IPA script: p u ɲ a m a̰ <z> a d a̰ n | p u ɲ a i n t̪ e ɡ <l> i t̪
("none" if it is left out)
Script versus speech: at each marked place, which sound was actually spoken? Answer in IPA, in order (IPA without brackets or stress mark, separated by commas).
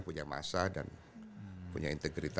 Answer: s, ɾ